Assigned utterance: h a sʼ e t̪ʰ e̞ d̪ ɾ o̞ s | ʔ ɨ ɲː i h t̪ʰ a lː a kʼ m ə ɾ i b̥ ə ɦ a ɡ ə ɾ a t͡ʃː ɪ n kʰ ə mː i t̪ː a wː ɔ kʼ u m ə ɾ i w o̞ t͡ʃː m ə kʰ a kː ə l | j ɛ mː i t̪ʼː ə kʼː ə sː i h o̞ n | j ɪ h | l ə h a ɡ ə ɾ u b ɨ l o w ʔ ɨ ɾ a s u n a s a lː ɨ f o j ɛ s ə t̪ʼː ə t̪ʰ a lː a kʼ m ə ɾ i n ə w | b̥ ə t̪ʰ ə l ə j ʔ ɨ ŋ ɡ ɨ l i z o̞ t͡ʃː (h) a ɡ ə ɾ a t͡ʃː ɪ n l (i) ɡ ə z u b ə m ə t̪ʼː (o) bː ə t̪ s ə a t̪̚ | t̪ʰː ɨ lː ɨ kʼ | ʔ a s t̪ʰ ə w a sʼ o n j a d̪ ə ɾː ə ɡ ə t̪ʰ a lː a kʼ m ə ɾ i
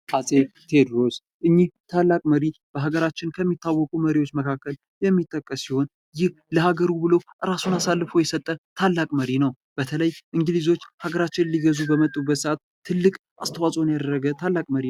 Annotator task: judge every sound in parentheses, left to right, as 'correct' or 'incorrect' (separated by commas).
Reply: correct, correct, incorrect